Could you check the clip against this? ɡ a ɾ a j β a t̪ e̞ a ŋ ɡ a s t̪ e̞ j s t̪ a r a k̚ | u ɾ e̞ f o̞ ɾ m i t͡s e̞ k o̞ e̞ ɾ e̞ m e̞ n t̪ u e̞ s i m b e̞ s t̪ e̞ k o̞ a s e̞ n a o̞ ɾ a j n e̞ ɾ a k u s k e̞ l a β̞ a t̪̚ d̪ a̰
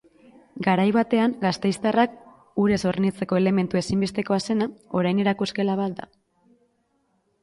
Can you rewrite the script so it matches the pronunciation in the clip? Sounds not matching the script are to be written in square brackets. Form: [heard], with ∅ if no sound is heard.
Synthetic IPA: ɡ a ɾ a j β a t̪ e̞ a ŋ ɡ a s t̪ e̞ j s t̪ a r a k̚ | u ɾ e̞ [s] o̞ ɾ [n] i t͡s e̞ k o̞ e̞ [l] e̞ m e̞ n t̪ u e̞ s i m b e̞ s t̪ e̞ k o̞ a s e̞ n a o̞ ɾ a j n e̞ ɾ a k u s k e̞ l a β̞ a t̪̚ d̪ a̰